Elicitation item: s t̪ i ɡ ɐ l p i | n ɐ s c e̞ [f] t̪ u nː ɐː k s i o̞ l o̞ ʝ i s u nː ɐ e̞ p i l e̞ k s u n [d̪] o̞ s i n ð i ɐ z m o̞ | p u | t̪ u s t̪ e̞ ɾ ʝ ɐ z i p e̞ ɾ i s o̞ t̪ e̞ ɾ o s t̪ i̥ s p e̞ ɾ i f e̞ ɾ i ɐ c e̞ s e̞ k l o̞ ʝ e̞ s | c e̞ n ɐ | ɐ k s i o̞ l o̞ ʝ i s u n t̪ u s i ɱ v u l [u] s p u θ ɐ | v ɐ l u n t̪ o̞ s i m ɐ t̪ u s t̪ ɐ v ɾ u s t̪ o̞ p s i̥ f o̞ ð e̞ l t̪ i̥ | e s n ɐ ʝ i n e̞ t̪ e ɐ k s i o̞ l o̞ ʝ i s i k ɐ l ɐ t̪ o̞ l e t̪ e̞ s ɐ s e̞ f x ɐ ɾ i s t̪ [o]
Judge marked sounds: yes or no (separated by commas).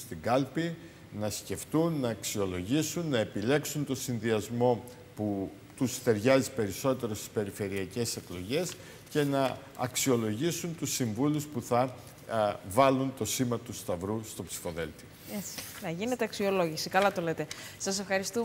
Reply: yes, no, yes, no